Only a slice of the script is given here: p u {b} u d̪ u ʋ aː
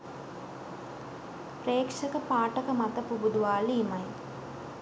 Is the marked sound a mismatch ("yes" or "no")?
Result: no